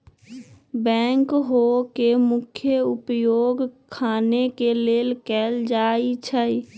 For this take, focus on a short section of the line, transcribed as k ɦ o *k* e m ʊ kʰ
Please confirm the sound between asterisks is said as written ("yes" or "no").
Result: yes